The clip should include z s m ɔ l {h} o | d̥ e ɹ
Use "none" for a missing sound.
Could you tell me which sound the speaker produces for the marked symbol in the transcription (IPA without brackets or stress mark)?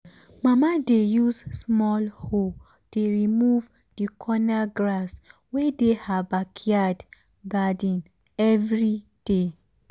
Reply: h